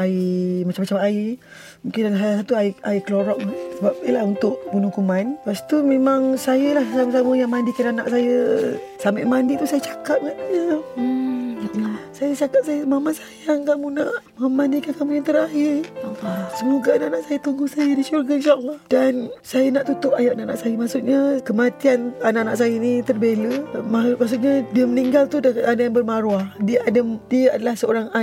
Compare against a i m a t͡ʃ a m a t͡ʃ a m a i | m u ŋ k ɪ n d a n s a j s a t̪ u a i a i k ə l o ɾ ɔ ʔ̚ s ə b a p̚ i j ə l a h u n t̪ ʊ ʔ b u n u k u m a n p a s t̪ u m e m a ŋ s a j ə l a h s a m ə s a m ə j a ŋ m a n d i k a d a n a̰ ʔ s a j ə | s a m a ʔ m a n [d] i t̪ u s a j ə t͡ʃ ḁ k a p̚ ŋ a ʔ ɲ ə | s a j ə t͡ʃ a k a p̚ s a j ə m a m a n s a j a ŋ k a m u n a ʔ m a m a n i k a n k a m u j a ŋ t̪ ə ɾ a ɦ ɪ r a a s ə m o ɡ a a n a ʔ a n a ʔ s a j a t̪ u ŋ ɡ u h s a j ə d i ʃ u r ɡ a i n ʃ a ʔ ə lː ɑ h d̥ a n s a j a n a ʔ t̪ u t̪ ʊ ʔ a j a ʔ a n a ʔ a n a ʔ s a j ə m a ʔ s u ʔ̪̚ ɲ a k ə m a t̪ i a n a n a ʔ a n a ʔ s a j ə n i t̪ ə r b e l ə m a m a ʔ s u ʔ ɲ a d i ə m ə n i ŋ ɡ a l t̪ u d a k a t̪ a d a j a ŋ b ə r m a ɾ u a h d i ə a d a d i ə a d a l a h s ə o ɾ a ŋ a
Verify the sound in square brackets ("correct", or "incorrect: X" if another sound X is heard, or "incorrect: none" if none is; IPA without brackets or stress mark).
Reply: correct